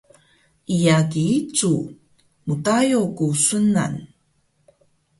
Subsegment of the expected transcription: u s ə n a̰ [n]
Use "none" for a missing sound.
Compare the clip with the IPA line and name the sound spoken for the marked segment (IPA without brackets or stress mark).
n